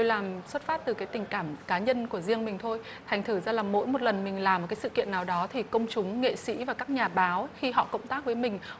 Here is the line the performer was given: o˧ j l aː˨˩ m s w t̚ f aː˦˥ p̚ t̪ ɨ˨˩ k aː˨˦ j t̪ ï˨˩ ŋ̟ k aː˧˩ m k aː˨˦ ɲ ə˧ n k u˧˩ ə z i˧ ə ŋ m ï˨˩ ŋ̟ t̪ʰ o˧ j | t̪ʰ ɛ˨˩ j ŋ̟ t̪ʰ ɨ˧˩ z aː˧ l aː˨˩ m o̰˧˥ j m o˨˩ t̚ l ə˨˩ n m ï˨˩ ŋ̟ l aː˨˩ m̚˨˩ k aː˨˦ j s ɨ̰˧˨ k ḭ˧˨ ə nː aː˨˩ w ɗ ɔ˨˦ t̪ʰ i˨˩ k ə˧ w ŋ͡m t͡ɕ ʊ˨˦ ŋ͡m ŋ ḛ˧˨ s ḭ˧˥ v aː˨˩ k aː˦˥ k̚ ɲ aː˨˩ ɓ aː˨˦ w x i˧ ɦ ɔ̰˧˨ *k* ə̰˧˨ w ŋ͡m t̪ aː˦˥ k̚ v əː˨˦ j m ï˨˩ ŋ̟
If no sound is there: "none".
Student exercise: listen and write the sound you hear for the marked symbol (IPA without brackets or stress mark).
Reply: k